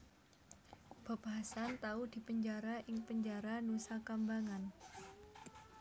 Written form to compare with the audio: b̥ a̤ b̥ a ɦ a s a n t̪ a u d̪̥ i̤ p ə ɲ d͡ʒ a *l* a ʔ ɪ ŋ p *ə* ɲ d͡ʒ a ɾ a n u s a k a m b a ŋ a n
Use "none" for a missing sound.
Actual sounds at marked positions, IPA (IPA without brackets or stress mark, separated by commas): ɾ, ə